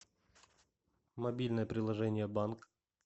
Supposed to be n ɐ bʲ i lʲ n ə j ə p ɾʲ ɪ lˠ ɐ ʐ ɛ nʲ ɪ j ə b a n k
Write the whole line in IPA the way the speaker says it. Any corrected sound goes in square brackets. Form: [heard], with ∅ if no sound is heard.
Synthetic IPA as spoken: [m] ɐ bʲ i lʲ n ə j ə p ɾʲ ɪ lˠ ɐ ʐ ɛ nʲ ɪ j ə b a n k